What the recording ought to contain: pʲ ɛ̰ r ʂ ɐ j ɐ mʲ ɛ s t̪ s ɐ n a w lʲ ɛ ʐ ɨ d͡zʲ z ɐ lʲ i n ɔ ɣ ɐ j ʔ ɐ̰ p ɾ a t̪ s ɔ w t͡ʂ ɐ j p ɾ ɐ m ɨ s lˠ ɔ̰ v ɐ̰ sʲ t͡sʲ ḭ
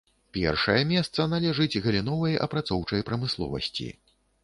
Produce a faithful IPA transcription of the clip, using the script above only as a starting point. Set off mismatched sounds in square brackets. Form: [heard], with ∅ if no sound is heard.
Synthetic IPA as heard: pʲ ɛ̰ r ʂ ɐ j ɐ mʲ ɛ s t̪ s ɐ n a [∅] lʲ ɛ ʐ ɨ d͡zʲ [ɣ] ɐ lʲ i n ɔ [v] ɐ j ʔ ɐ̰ p ɾ a t̪ s ɔ w t͡ʂ ɐ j p ɾ ɐ m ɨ s lˠ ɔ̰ v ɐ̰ sʲ t͡sʲ ḭ